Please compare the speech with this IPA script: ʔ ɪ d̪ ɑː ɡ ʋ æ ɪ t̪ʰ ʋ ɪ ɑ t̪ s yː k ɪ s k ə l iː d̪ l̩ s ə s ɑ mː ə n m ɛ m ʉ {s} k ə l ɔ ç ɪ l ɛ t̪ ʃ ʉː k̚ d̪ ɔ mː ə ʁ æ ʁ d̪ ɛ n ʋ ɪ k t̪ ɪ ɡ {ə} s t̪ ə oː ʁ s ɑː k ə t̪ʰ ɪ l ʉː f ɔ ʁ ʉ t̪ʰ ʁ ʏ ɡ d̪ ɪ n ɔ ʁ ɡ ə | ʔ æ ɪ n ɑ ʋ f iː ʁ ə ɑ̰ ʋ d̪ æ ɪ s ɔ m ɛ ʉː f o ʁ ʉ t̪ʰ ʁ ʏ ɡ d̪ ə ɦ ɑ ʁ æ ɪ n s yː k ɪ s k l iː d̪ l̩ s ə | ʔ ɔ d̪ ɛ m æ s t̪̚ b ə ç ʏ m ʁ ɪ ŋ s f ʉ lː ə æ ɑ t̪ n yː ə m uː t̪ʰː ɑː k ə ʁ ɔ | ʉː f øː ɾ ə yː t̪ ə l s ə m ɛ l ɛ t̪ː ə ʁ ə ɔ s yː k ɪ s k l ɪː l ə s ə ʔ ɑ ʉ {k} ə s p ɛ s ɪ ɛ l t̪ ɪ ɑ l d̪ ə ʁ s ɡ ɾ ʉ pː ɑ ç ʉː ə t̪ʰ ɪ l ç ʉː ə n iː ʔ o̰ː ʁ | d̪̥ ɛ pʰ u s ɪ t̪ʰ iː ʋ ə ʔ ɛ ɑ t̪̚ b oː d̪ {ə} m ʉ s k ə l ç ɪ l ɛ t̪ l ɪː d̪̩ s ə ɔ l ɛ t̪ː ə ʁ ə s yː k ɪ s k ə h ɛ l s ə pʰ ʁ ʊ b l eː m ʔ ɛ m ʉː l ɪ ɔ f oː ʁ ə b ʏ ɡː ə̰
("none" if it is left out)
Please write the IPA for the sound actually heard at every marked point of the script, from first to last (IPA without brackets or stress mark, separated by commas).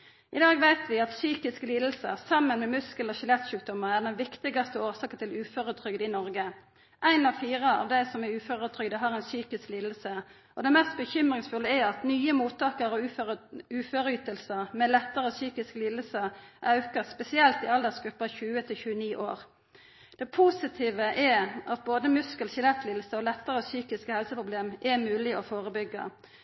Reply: s, ɑ, k, ə